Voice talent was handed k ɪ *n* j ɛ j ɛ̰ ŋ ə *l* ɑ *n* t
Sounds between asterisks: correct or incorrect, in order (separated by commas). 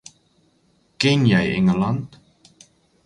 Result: correct, correct, correct